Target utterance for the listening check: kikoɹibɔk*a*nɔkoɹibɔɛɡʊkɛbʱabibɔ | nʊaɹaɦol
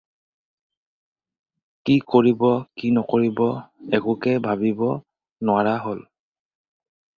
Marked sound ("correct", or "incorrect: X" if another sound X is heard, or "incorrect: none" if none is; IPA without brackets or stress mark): incorrect: i